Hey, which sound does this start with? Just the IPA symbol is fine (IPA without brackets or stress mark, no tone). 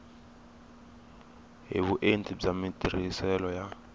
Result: ɦ